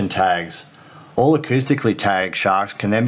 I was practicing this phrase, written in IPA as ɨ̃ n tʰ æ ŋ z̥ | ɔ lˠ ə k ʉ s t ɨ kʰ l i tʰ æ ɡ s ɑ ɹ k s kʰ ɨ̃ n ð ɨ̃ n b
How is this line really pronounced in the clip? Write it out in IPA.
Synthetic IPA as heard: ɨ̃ n tʰ æ ɡ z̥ | ɔ lˠ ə kʰ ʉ s t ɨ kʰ l i tʰ æ ɡ ʃ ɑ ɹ k s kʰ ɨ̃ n ð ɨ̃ n b